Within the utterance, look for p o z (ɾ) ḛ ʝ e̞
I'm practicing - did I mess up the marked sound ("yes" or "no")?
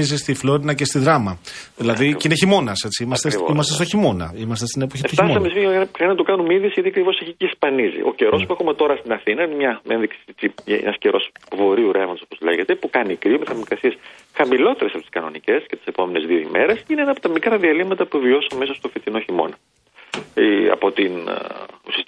yes